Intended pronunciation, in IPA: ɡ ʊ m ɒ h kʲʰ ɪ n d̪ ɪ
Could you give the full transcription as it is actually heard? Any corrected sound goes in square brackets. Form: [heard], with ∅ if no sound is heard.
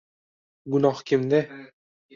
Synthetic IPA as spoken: ɡ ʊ [n] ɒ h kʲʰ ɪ [m] d̪ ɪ